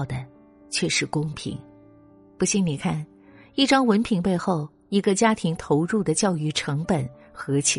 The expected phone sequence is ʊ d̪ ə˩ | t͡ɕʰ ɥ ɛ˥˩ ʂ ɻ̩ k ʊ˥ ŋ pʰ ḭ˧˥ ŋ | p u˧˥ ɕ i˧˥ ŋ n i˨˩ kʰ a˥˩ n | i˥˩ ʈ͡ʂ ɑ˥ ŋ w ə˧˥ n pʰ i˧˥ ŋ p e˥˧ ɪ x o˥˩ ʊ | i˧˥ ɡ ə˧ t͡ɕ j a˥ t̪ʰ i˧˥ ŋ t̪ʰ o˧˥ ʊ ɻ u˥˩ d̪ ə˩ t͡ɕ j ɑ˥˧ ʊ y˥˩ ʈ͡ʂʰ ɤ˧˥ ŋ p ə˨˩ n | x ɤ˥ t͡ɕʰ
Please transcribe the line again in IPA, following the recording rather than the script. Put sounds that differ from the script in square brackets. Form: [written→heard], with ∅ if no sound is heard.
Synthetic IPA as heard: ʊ d̪ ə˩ | t͡ɕʰ ɥ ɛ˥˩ ʂ ɻ̩ k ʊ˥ ŋ pʰ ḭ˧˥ ŋ | p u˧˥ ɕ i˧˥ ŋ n i˨˩ kʰ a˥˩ n | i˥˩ ʈ͡ʂ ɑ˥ ŋ w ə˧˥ n pʰ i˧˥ ŋ p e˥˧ ɪ x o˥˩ ʊ | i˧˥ ɡ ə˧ t͡ɕ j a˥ t̪ʰ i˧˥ ŋ t̪ʰ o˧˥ ʊ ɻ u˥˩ d̪ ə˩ t͡ɕ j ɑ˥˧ ʊ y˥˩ ʈ͡ʂʰ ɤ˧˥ ŋ p ə˨˩ n | x [ɤ˥→ɤ˧˥] t͡ɕʰ